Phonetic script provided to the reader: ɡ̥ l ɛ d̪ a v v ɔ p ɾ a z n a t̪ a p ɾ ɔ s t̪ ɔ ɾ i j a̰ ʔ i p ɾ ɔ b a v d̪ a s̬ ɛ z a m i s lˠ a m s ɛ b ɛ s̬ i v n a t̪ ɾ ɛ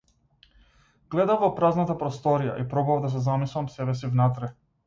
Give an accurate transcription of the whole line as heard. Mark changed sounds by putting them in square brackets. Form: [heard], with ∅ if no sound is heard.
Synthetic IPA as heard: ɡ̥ l ɛ d̪ a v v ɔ p ɾ a z n a t̪ a p ɾ ɔ s t̪ ɔ ɾ i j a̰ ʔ i p ɾ ɔ b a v d̪ a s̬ ɛ z a m i s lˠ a m s ɛ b ɛ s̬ i v n a t̪ ɾ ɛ